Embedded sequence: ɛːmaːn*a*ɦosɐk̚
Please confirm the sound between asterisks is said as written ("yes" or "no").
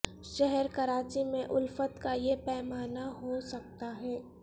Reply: yes